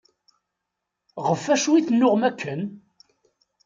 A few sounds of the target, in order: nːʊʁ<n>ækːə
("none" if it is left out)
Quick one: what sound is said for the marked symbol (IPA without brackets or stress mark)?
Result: m